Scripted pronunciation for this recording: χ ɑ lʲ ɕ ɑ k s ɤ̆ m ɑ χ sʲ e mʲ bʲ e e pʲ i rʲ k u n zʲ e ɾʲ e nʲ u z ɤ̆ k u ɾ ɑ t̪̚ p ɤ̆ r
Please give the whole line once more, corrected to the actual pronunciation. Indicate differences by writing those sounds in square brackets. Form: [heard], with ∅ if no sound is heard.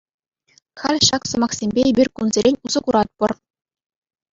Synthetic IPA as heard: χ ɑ lʲ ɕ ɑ k s ɤ̆ m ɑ χ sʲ e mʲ bʲ e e [bʲ] i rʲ k u n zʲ e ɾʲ e nʲ u z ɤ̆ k u ɾ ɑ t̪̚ p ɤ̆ r